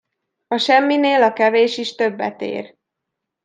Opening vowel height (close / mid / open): open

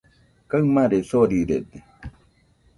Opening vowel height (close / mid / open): open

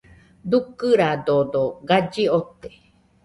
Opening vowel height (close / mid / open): close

